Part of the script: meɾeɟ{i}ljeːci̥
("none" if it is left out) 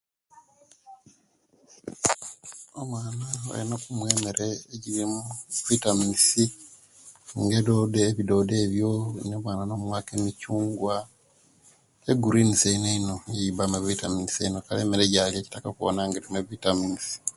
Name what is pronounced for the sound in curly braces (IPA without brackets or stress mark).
a